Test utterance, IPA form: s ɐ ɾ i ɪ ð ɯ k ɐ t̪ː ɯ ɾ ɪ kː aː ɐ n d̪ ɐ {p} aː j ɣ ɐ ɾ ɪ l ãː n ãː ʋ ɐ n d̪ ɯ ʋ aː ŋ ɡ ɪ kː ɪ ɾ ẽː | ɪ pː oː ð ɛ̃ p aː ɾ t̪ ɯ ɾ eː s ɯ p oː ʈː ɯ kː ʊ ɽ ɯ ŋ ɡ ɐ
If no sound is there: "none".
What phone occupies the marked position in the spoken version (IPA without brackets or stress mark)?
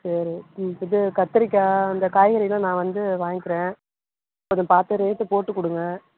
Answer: k